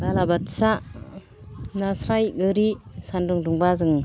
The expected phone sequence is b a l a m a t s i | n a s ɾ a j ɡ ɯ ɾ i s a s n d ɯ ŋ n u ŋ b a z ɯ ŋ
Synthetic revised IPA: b a l a b a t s a | n a s ɾ a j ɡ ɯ ɾ i s a n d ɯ ŋ d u ŋ b a z ɯ ŋ